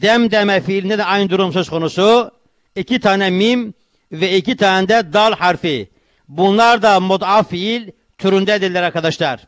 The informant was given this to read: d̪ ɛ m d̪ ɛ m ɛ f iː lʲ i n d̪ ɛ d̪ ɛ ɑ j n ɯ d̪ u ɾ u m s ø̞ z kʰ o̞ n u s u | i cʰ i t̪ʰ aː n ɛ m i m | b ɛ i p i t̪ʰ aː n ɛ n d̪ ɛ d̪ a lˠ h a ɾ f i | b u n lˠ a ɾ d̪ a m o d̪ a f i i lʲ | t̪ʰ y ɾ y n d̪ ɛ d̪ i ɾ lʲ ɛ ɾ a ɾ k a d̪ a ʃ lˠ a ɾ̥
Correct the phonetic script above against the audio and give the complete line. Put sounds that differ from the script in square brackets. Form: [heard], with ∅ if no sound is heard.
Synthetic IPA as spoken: d̪ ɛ m d̪ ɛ m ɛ f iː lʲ i n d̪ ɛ d̪ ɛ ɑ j n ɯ d̪ u ɾ u m s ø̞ z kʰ o̞ n u s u | i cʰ i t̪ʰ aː n ɛ m i m | [v] ɛ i [c] i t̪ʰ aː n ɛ n d̪ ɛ d̪ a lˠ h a ɾ f i | b u n lˠ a ɾ d̪ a m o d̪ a f i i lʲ | t̪ʰ y ɾ y n d̪ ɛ d̪ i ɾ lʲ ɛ ɾ a ɾ k a d̪ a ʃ lˠ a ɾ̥